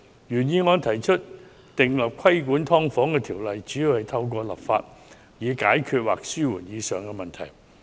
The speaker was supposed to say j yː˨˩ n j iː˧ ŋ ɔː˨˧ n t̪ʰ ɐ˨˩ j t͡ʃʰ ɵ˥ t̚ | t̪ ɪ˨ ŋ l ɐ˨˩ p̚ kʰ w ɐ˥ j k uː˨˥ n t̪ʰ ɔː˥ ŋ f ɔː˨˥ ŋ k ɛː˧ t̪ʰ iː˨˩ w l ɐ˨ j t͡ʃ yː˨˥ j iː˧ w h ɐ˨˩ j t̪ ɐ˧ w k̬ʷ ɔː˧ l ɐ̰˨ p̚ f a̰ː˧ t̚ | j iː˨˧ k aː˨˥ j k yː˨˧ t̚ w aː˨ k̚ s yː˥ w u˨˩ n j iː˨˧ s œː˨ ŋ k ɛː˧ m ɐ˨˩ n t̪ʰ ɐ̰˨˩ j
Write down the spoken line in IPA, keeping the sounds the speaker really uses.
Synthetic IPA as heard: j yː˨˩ n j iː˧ ŋ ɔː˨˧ n t̪ʰ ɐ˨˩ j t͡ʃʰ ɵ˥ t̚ | t̪ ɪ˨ ŋ l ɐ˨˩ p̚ kʰ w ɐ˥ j k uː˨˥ n t̪ʰ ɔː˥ ŋ f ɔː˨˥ ŋ k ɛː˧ t̪ʰ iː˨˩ w l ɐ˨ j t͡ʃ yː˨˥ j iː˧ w h ɐ˨˩ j t̪ʰ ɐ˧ w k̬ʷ ɔː˧ l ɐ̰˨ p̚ f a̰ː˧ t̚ | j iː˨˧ k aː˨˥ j kʰ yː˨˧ t̚ w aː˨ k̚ s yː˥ w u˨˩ n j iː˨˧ s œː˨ ŋ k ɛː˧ m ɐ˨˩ n t̪ʰ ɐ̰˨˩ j